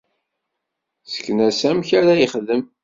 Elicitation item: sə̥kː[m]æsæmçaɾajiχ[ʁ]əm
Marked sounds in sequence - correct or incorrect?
incorrect: n, incorrect: ð

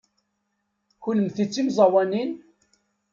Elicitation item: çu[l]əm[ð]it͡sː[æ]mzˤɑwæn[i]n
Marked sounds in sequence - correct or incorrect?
correct, incorrect: θ, incorrect: i, correct

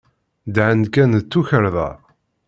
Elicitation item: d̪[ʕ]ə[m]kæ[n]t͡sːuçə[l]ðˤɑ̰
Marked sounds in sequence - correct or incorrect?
correct, incorrect: n, correct, incorrect: ɾ

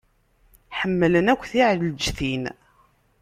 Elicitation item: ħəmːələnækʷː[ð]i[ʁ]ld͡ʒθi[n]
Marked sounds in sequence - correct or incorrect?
incorrect: θ, incorrect: ʕ, correct

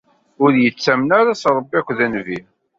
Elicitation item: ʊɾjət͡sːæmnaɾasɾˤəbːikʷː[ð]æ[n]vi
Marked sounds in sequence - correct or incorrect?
correct, correct

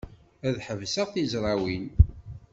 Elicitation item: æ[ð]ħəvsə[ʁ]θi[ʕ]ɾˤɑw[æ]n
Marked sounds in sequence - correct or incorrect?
correct, correct, incorrect: z, incorrect: i

